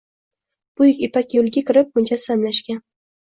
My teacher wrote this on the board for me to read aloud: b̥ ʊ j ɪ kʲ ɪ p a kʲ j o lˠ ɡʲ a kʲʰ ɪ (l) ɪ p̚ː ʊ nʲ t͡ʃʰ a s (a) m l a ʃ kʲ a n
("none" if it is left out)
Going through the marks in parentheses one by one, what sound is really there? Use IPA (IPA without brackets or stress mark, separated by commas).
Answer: ɾ, a